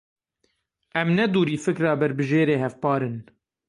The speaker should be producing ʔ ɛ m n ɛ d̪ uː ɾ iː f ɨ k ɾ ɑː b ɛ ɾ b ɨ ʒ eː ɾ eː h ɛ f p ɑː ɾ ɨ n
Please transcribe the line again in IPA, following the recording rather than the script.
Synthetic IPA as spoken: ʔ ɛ m n ɛ d̪ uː ɾ iː f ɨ k ɾ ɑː b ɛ ɾ b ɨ ʒ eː ɾ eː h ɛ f p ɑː ɾ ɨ n